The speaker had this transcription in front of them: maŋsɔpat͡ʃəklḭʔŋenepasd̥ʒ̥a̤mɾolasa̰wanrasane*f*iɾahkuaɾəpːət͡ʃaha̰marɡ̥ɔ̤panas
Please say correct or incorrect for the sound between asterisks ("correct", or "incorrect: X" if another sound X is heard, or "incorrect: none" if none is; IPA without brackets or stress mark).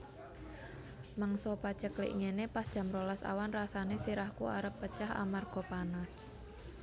incorrect: s